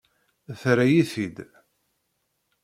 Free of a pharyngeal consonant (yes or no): yes